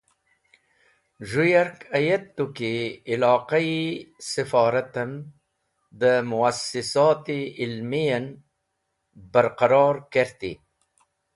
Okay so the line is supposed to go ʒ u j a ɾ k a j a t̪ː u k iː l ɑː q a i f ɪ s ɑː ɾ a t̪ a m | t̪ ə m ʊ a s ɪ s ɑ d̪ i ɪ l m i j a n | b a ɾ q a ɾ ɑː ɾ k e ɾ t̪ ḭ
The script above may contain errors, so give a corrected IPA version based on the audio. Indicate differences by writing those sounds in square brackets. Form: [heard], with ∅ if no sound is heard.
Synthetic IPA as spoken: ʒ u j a ɾ k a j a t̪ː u k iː l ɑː q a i [s] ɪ [f] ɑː ɾ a t̪ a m | [d̪] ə m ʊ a s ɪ s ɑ [t̪] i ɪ l m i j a n | b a ɾ q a ɾ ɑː ɾ k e ɾ t̪ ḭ